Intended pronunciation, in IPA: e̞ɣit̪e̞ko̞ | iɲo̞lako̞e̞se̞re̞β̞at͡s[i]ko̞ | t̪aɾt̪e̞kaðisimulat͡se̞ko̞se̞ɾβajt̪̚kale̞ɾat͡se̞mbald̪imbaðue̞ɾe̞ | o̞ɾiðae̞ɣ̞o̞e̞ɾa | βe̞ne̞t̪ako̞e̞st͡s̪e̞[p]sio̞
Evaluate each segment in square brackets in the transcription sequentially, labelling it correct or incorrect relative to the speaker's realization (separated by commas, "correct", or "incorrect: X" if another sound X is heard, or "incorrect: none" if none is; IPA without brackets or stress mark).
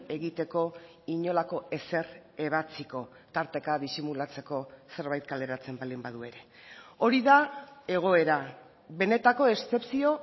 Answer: correct, correct